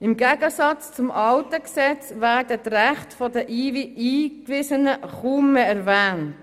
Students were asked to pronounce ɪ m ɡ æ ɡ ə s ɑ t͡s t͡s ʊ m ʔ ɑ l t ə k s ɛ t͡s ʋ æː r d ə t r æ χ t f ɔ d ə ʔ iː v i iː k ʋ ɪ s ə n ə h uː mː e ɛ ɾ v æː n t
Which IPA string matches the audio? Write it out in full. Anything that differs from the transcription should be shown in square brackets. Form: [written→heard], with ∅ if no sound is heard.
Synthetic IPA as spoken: ɪ m ɡ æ ɡ ə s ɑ t͡s t͡s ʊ m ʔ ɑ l t ə k s ɛ t͡s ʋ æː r d ə t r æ χ t f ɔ d ə ʔ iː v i iː k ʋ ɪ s ə n ə [h→χ] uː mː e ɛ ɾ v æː n t